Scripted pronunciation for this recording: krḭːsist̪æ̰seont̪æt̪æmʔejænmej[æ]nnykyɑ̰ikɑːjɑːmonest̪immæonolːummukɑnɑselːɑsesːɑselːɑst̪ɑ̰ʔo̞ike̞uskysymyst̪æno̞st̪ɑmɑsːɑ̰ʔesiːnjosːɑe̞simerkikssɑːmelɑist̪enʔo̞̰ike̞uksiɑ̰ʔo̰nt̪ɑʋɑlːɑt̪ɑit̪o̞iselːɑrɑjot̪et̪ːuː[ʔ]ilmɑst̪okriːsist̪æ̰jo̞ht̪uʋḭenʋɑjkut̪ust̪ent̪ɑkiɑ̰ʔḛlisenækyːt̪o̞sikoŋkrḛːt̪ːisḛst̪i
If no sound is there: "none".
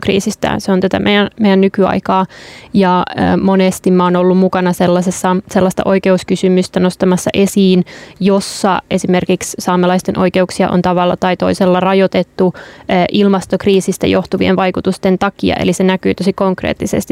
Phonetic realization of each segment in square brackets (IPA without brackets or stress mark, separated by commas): æ, ʔ